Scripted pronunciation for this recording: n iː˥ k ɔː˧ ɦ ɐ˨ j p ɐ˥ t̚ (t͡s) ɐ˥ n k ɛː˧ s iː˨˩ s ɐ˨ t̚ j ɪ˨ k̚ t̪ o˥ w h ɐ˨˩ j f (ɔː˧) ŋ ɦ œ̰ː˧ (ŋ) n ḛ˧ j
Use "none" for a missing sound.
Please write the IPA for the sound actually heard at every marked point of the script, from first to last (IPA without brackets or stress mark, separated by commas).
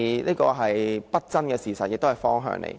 t͡s, ɔː˥, ŋ